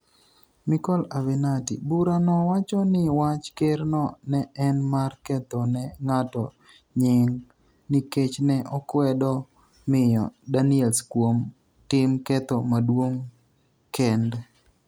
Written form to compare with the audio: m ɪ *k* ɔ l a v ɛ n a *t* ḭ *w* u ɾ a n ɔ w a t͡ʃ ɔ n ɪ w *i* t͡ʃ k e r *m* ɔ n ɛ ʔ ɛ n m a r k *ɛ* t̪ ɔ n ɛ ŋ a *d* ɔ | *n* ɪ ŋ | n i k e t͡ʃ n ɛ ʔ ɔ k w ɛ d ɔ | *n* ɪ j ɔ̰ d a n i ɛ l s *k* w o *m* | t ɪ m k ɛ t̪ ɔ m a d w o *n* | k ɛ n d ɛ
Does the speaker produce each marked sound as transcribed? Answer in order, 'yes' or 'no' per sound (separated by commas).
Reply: yes, yes, no, no, no, yes, no, no, no, yes, yes, no